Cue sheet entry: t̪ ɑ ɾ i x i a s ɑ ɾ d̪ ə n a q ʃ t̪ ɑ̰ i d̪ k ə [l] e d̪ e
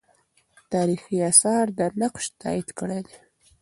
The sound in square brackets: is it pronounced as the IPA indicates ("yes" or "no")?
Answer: no